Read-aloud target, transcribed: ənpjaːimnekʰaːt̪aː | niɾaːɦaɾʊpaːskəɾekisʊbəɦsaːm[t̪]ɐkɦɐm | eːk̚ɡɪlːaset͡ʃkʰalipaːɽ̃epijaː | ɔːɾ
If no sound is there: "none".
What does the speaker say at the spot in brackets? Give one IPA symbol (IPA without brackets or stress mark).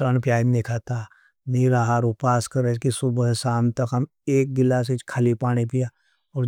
t̪